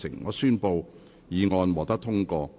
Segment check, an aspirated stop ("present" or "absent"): present